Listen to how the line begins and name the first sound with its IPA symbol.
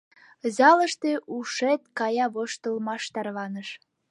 z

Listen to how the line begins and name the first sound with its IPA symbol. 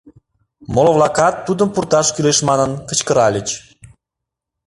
m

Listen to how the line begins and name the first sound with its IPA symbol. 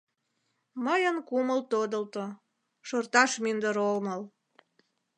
m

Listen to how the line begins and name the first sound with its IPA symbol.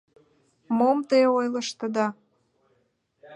m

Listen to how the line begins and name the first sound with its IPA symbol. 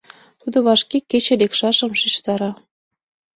t̪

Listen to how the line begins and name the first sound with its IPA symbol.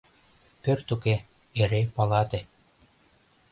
p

